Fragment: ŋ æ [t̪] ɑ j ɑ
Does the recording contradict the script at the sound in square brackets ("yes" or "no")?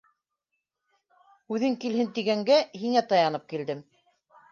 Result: no